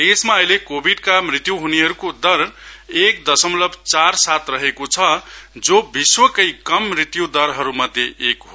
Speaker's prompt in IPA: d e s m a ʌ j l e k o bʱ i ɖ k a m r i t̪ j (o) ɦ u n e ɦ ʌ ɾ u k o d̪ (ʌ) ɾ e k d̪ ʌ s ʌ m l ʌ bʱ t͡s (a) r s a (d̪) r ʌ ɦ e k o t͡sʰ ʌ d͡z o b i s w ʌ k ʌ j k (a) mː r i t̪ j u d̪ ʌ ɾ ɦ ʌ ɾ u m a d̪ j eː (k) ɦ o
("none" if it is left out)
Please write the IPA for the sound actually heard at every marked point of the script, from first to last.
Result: u, ʌ, a, t̪, ʌ, k

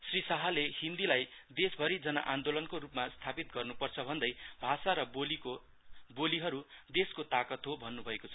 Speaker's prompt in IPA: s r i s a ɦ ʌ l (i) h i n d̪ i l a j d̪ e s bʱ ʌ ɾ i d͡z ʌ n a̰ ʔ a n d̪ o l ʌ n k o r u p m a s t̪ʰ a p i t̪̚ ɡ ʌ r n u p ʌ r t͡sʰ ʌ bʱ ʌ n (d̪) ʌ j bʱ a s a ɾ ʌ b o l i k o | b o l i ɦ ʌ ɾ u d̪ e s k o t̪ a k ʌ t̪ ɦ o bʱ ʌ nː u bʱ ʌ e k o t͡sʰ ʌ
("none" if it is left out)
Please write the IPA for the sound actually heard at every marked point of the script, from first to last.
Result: e, d̪

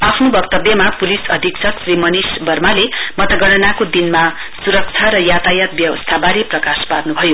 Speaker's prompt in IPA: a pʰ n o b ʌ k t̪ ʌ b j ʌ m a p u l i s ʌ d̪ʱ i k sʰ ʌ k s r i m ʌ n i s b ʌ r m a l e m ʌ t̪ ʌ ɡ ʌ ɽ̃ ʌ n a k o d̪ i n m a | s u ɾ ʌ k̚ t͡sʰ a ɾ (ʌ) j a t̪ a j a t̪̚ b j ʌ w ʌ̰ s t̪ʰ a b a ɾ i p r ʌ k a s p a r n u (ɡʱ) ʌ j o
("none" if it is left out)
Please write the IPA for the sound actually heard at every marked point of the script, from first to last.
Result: ʌ, bʱ

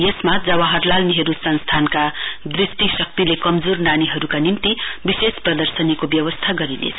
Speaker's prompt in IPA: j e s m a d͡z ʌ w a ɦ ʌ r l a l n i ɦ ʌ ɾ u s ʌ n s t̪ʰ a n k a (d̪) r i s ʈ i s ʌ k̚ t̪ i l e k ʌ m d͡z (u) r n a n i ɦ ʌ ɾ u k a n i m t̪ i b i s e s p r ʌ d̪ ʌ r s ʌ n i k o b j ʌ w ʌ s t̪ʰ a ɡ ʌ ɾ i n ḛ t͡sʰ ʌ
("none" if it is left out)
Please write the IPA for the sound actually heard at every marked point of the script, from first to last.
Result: d̪, o

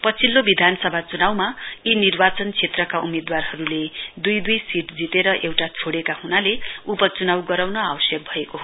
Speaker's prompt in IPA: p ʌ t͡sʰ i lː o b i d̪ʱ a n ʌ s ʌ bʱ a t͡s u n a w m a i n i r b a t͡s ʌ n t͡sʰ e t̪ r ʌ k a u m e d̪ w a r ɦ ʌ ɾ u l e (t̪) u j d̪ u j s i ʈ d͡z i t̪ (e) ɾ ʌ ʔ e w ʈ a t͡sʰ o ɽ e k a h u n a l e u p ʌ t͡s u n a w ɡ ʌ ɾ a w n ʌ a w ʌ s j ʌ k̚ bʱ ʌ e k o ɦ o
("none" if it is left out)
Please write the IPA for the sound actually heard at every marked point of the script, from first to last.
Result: d̪, e

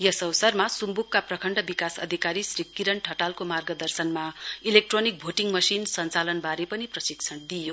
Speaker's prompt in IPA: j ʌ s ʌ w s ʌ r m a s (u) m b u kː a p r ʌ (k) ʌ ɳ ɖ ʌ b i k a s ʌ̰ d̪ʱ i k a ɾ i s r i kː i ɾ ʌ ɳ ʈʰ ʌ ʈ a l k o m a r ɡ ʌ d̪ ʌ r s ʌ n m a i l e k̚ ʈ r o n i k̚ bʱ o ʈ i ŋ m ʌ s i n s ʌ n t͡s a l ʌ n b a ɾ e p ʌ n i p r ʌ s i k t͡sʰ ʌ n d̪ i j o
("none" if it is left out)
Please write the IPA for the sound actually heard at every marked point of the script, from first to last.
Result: u, kʰ

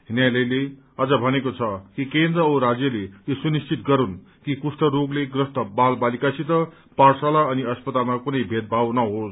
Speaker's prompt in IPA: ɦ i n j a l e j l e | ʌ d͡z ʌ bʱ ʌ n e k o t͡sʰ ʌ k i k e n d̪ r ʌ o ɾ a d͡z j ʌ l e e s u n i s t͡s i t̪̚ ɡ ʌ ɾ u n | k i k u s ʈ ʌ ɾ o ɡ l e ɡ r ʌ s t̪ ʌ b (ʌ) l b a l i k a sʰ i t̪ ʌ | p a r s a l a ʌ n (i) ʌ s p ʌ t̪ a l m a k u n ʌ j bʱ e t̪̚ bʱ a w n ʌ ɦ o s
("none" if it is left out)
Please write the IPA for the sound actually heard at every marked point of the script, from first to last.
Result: a, i

